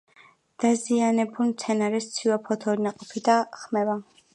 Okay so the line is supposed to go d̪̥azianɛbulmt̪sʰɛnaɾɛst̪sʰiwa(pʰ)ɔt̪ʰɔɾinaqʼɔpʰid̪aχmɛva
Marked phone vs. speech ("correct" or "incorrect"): correct